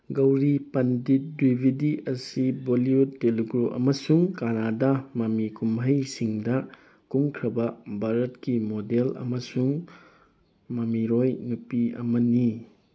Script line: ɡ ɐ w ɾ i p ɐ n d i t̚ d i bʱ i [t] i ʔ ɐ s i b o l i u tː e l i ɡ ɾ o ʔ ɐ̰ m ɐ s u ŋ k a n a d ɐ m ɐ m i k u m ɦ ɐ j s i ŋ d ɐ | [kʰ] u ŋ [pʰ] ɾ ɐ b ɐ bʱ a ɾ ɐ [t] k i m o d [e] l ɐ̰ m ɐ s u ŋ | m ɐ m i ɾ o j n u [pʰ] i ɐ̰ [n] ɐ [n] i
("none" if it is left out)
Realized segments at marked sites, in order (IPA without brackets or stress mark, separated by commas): d, k, kʰ, t, e, p, m, n